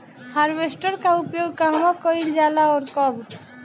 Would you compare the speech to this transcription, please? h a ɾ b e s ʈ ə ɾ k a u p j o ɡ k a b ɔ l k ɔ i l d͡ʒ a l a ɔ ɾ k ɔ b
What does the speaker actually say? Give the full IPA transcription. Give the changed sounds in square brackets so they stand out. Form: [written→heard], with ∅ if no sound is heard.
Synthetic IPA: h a ɾ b e s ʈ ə ɾ k a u p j o ɡ k a [b→m] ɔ [l→∅] k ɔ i l d͡ʒ a l a ɔ ɾ k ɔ b